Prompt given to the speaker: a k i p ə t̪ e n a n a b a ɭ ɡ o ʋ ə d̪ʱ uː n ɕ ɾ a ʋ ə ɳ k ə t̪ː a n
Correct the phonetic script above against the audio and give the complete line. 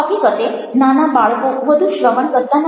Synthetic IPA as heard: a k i k ə t̪ e n a n a b a ɭ k o ʋ ə d̪ʱ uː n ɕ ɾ ə ʋ ə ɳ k ə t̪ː a n

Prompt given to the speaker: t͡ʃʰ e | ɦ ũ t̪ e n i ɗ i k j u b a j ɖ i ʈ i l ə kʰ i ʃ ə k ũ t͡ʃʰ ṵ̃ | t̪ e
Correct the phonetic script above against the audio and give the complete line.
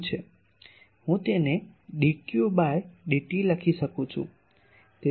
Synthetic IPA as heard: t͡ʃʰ e | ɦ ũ t̪ e n e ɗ i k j u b a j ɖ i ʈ i l ə kʰ i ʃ ə k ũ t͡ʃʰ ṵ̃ | t̪ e

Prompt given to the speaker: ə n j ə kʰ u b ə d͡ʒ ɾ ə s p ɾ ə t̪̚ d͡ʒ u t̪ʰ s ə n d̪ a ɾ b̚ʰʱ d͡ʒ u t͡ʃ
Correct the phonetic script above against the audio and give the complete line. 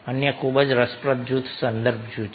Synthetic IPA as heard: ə n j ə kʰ u b ə d͡ʒ ɾ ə s p ɾ ə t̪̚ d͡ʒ u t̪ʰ s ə n d̪ ə ɾ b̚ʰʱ d͡ʒ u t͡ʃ

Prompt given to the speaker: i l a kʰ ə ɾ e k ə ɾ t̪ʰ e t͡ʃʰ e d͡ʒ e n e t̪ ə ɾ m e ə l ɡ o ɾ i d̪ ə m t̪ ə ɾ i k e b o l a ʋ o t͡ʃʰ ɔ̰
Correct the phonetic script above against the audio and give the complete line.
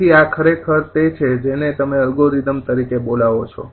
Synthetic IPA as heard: i a kʰ ə ɾ e kʰ ə ɾ t̪ e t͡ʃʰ e d͡ʒ e n e t̪ ə m e ə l ɡ o ɾ i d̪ ə m t̪ ə ɾ i k e b o l a ʋ o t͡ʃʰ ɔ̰

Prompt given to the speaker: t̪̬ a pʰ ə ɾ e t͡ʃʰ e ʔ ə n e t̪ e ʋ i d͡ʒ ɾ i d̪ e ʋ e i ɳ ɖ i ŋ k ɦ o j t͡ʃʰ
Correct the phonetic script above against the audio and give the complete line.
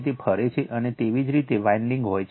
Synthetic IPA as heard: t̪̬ e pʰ ə ɾ e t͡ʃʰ e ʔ ə n e t̪ e ʋ i d͡ʒ ɾ i t̪ e ʋ a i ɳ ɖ i ŋ ɡ ɦ o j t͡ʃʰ

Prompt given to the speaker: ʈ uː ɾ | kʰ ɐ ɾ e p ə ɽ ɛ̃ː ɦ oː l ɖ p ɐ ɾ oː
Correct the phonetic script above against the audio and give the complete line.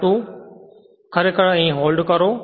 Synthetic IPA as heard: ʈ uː | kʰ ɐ ɾ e k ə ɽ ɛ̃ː ɦ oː l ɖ k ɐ ɾ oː

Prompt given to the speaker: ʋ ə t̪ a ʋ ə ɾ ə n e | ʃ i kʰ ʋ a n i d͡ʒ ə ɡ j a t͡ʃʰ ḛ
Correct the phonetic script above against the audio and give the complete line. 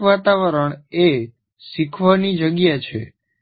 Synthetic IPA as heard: ʋ a t̪ a ʋ ə ɾ ə ɳ e | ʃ i kʰ ʋ a n i d͡ʒ ə ɡ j a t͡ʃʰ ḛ

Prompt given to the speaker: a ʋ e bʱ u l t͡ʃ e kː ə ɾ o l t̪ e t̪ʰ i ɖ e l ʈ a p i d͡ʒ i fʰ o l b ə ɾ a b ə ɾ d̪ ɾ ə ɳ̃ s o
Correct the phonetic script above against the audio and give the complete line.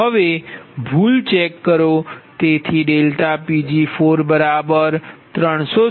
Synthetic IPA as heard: ə ʋ e bʱ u l t͡ʃ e kː ə ɾ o t̪ e t̪ʰ i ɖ e l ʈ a p i d͡ʒ i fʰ o ɾ b ə ɾ a b ə ɾ t̪ ɾ ə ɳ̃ s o

